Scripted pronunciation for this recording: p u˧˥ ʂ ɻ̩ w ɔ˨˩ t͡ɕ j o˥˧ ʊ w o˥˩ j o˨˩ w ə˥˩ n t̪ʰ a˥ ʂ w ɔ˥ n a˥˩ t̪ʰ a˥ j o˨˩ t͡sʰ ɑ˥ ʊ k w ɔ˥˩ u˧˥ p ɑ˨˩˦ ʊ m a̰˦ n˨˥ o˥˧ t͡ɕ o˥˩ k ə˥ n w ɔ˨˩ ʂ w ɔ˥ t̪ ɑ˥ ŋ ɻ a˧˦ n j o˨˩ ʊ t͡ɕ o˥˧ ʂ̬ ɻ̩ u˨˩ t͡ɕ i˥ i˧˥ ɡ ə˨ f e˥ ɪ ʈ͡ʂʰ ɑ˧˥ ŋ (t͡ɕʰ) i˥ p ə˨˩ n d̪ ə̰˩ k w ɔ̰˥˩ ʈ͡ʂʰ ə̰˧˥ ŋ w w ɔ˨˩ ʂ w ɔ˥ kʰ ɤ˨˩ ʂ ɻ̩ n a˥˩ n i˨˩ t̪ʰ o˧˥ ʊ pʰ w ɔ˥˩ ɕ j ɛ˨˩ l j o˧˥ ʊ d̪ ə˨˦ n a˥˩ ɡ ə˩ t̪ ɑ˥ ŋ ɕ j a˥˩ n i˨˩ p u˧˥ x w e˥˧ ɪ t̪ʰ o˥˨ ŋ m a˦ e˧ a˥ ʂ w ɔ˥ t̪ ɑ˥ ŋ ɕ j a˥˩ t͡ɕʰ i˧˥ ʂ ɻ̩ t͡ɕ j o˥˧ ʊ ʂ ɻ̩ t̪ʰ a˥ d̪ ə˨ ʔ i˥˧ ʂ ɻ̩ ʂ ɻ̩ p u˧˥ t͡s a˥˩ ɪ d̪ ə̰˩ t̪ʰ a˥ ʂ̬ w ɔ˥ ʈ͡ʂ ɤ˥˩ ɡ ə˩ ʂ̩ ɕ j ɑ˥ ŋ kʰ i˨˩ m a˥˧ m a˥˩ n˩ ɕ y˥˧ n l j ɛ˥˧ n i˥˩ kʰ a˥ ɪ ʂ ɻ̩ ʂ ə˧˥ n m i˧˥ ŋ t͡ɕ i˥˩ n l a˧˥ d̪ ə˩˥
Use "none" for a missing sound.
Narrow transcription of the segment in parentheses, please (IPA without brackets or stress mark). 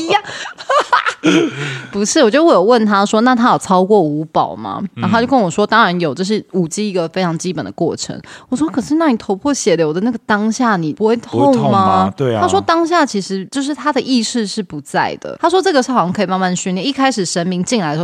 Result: t͡ɕ